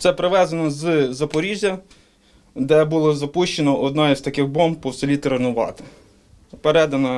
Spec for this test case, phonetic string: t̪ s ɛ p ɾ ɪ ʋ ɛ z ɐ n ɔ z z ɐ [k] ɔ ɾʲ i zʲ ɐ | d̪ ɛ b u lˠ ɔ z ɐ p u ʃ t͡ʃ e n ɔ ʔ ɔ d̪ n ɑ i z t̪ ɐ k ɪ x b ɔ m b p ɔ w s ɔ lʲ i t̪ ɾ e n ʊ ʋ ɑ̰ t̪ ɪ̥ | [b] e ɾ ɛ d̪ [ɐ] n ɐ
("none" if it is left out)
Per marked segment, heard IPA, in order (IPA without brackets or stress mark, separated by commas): p, p, ɐ